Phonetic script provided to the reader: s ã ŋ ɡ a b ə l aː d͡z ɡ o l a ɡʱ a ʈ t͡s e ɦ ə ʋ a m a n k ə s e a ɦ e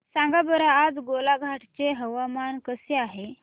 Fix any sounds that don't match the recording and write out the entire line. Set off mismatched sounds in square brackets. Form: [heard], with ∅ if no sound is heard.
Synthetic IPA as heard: s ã ŋ ɡ a b ə [ɾ] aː d͡z ɡ o l a ɡʱ a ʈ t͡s e ɦ ə ʋ a m a n k ə s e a ɦ e